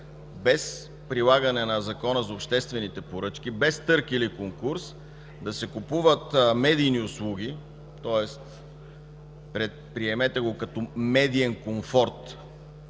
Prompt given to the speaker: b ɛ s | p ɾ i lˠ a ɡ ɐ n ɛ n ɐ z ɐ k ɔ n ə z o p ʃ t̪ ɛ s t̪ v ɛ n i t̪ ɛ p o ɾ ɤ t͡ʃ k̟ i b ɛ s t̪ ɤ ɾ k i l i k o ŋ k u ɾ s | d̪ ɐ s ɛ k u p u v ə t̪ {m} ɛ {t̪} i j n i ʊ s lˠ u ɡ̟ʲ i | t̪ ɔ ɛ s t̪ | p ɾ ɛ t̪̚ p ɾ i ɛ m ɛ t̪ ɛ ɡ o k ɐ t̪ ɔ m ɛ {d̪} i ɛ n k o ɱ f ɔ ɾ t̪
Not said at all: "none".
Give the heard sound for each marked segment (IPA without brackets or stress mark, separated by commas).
m, d̪, d̪